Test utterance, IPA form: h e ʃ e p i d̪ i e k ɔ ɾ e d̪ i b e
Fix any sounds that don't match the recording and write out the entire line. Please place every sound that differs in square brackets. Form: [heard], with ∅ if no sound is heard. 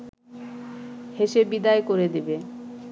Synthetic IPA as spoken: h e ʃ e [b] i d̪ [a] e k [o] ɾ e d̪ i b e

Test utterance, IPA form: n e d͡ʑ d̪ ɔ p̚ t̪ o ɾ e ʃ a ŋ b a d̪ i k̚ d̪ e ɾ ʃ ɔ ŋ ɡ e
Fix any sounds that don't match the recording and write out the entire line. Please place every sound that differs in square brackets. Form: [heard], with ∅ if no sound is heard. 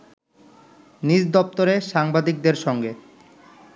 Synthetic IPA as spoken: n [i] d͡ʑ d̪ ɔ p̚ t̪ o ɾ e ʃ a ŋ b a d̪ i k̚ d̪ e ɾ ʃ ɔ ŋ ɡ e

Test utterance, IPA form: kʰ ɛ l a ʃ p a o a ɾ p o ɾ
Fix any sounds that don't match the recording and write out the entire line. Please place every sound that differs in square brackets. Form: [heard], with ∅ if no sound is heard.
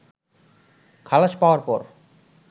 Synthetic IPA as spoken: kʰ [a] l a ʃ p a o a ɾ p [ɔ] ɾ

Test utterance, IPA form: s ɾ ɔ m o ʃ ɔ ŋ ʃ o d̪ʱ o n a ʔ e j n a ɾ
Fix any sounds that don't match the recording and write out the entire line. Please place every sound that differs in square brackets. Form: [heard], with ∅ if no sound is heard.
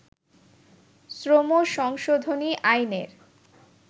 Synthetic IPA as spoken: s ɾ [o] m o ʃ ɔ ŋ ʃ o d̪ʱ o n [i] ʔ [a] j n [e] ɾ

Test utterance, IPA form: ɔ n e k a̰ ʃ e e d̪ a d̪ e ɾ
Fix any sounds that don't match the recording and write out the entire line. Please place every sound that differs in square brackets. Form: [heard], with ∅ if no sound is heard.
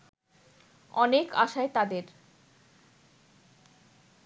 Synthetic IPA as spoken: ɔ n e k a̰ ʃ [a] e [t̪] a d̪ e ɾ

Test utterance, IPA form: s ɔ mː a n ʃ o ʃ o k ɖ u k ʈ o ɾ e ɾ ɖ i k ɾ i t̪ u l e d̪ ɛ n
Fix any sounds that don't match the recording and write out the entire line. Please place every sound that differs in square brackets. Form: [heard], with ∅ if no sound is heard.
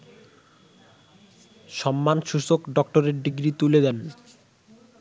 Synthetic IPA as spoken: [ʃ] ɔ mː a n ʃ [u] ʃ o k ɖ [ɔ] k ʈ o ɾ e ɾ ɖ i [ɡ] ɾ i t̪ u l e d̪ ɛ n

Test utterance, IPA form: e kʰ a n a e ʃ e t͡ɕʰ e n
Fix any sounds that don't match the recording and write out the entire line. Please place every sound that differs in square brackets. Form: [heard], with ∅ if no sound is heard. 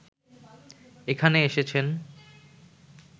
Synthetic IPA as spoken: e kʰ a n [e] e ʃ e t͡ɕʰ e n

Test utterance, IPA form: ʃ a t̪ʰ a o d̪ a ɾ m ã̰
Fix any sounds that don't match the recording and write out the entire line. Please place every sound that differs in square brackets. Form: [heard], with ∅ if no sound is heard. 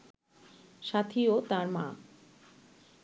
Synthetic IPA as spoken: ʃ a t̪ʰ [i] o [t̪] a ɾ m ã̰

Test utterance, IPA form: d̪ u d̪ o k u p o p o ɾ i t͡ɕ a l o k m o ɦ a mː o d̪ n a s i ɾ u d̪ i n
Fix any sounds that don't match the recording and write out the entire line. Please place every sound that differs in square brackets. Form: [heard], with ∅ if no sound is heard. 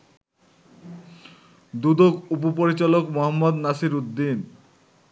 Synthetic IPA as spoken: d̪ u d̪ o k u p o p o ɾ i t͡ɕ a l o k m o ɦ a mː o d̪ n a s i ɾ u [d̪ː] i n

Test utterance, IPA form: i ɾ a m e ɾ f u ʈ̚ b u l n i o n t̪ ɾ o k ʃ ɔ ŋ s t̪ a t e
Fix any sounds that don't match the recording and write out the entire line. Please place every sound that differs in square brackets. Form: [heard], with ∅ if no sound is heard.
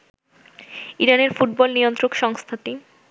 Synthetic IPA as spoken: i ɾ a [n] e ɾ f u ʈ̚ b [ɔ] l n i o n t̪ ɾ o k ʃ ɔ ŋ s [t̪ʰ] a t [i]

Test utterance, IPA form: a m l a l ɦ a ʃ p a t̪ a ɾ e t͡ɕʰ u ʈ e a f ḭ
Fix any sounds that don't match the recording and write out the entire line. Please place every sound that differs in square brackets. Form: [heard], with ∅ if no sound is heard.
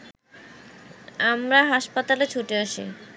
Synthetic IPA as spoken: a m [ɾ] a [∅] ɦ a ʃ p a t̪ a [l] e t͡ɕʰ u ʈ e a [ʃ] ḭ

